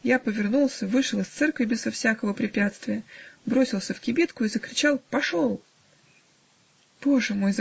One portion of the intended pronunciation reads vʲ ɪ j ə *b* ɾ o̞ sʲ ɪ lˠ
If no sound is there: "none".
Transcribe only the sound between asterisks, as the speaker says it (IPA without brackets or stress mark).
b